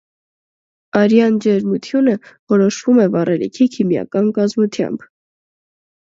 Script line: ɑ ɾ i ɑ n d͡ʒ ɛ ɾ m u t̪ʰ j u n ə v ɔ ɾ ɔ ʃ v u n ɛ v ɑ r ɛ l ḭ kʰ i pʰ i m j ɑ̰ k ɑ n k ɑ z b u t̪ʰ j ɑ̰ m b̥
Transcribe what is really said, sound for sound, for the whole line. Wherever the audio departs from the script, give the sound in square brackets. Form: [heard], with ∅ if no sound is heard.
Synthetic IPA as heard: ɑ ɾ [j] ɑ n d͡ʒ ɛ ɾ m u t̪ʰ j u n ə v ɔ ɾ ɔ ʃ v u [m] ɛ v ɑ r ɛ l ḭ kʰ i [kʰ] i m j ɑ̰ k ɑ n k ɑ z [m] u t̪ʰ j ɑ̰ m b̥